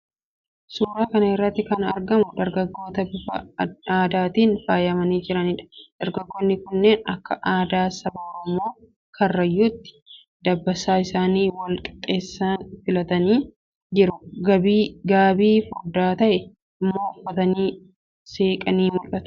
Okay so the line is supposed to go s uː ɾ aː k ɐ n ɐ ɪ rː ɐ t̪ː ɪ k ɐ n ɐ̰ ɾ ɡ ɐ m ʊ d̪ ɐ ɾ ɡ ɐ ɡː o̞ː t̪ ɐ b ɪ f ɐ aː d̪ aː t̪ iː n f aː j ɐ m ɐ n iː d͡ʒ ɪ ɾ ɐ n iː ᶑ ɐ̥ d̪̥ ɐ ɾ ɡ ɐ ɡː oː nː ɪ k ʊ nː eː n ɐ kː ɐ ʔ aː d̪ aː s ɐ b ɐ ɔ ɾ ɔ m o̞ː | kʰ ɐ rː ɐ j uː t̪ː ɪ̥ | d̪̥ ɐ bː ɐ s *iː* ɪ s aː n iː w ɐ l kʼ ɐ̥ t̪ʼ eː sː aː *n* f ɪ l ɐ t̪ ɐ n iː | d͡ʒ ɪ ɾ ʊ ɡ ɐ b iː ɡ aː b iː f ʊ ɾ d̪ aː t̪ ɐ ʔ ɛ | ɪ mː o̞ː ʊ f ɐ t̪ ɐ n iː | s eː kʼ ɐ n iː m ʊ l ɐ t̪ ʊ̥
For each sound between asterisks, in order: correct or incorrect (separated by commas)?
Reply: incorrect, correct